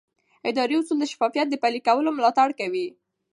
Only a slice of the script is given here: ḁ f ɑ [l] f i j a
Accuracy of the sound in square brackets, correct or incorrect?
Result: incorrect